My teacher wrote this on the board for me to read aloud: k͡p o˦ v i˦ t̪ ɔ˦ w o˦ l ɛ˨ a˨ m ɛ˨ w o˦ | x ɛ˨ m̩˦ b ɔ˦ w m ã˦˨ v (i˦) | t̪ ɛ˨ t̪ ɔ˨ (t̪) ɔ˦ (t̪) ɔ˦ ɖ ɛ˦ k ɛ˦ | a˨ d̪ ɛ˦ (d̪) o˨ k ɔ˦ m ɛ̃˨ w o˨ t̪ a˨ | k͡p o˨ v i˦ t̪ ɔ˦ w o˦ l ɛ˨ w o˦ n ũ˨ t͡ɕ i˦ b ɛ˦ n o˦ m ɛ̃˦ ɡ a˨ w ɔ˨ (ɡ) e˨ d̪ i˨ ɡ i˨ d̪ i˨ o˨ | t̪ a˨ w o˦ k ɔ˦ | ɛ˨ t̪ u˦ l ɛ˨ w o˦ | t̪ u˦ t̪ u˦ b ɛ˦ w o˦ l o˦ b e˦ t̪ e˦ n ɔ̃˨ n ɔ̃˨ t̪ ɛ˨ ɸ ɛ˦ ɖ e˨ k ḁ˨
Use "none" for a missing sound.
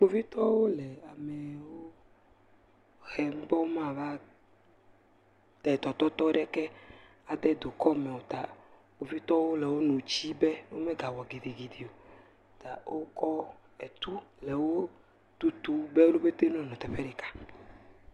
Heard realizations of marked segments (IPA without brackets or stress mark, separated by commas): a˦, t̪, t̪, d̪, ɡ